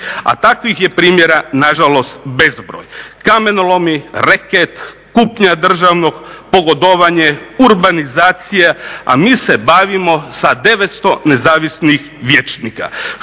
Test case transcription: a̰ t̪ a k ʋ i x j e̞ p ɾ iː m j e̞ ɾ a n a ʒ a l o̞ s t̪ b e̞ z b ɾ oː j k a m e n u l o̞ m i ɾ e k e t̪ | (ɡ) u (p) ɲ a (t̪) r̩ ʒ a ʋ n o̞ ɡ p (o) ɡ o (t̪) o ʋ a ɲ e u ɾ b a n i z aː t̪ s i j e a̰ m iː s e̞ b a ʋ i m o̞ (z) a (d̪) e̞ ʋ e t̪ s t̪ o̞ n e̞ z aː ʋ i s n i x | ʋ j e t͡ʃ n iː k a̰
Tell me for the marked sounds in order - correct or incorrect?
incorrect, correct, incorrect, correct, incorrect, incorrect, correct

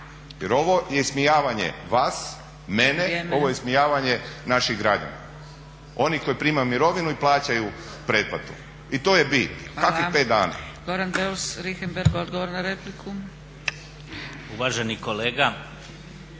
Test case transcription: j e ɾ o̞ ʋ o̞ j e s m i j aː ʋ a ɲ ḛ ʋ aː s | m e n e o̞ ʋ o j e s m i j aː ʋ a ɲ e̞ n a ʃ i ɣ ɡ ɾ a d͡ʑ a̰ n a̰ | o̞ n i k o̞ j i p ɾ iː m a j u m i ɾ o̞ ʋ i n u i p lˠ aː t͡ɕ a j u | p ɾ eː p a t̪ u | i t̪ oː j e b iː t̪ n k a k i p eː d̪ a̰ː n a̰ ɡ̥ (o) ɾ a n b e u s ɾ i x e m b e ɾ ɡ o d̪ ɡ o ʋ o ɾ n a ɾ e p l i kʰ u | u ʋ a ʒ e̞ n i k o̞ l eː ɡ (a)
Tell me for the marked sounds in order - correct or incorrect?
correct, correct

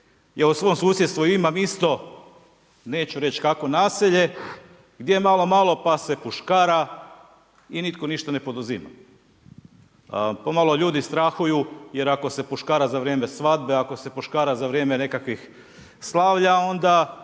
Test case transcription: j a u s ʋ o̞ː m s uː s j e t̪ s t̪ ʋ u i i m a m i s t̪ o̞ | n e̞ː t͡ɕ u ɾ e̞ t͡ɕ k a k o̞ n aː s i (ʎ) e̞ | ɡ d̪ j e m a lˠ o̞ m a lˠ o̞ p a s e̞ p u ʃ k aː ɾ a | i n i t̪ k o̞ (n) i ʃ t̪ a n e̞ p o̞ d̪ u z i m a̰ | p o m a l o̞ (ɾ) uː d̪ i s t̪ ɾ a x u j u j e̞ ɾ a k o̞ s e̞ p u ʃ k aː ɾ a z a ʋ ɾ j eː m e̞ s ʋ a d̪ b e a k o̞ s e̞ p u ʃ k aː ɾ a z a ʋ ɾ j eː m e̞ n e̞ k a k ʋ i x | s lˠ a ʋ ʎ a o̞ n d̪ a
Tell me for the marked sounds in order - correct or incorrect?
correct, correct, incorrect

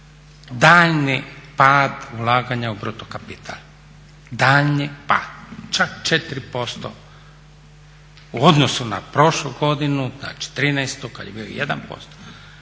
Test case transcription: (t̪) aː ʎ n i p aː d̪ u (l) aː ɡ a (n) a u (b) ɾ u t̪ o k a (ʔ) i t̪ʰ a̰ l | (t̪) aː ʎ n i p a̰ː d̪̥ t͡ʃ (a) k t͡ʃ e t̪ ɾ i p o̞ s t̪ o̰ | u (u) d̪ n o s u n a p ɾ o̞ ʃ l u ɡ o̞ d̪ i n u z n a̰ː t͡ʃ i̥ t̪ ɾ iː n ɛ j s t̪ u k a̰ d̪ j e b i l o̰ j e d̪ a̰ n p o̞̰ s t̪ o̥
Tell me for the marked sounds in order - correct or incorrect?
incorrect, correct, incorrect, correct, incorrect, incorrect, correct, incorrect

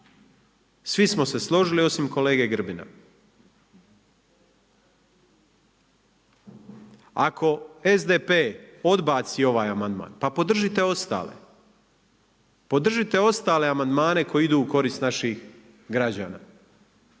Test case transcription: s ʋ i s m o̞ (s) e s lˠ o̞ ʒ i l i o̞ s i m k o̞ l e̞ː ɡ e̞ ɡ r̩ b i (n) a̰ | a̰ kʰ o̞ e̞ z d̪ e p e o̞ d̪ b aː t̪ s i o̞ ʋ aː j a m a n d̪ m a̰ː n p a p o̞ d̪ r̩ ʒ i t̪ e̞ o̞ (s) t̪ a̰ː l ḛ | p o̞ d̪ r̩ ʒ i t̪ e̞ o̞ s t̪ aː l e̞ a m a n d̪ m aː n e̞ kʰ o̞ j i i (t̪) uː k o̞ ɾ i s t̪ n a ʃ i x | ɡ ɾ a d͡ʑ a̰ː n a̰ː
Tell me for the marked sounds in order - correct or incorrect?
correct, correct, correct, incorrect

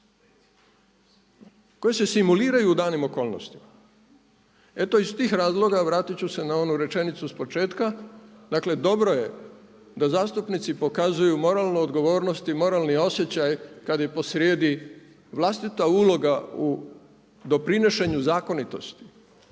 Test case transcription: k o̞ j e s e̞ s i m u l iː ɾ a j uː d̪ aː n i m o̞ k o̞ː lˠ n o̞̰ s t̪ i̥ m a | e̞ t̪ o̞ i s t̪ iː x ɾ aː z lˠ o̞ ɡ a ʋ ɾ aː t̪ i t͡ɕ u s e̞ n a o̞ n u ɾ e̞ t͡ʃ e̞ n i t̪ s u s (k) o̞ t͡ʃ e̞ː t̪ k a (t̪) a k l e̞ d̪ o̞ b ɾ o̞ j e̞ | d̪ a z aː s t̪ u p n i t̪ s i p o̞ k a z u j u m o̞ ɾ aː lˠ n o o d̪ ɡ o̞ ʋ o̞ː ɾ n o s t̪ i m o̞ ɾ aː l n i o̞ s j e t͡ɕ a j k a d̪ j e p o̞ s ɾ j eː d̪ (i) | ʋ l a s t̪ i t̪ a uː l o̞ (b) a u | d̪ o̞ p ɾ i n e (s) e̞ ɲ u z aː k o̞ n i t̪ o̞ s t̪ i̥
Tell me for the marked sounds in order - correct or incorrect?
incorrect, incorrect, correct, incorrect, incorrect

